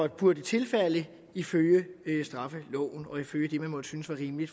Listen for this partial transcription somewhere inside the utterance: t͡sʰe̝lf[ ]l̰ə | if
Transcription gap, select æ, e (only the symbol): æ